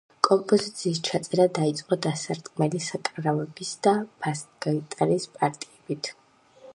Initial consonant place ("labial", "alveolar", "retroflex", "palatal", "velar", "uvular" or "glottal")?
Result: velar